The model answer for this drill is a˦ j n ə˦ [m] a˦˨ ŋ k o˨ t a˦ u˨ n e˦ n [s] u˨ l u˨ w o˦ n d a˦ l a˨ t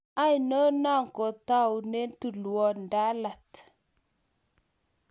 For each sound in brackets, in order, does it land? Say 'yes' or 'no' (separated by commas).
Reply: no, no